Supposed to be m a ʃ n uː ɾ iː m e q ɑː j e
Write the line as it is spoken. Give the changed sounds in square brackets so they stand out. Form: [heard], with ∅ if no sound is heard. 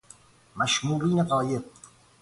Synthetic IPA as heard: m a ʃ [m] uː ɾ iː [n] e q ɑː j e